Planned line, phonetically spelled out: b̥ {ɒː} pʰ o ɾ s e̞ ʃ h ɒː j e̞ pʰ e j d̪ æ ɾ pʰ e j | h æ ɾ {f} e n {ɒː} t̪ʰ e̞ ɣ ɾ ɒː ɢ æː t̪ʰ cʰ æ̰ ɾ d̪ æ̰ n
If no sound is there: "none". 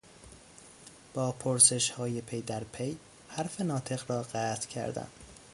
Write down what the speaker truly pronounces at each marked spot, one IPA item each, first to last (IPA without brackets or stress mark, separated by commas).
ɒː, f, ɒː